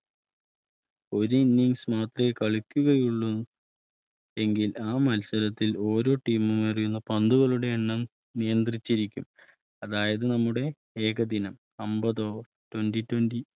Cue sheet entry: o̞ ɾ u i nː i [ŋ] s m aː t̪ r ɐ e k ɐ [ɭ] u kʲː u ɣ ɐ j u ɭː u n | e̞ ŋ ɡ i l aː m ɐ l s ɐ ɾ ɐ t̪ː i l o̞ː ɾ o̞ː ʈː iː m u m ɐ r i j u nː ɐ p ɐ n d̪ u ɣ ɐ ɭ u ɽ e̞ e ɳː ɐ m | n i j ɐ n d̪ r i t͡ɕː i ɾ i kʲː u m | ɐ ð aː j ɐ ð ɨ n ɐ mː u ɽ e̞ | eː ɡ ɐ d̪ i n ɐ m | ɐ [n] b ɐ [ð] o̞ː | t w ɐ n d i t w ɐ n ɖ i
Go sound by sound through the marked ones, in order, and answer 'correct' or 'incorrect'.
correct, correct, incorrect: m, correct

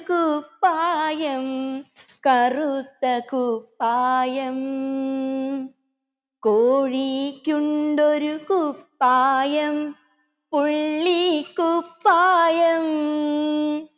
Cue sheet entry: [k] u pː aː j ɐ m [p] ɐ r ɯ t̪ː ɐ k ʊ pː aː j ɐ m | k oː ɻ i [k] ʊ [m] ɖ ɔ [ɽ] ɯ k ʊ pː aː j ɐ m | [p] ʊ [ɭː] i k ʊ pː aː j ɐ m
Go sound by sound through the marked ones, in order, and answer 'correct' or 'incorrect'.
correct, incorrect: k, correct, incorrect: ɳ, incorrect: ɾ, correct, correct

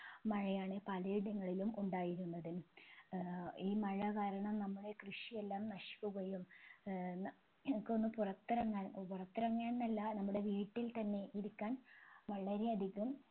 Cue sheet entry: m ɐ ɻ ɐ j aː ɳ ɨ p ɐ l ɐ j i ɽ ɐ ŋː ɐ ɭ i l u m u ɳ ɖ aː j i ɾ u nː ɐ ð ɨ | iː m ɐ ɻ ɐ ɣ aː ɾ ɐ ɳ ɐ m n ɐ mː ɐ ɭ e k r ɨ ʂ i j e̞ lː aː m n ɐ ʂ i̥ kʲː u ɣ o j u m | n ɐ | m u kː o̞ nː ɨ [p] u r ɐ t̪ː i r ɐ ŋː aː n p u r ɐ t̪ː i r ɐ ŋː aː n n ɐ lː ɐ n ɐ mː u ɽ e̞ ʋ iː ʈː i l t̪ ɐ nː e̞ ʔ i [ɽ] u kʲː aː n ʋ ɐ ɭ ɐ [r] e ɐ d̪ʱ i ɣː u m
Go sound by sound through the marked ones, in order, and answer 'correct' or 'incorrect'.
correct, incorrect: ɾ, incorrect: ɾ

